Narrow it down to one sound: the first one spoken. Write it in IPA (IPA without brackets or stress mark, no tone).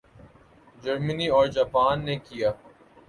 d͡ʒ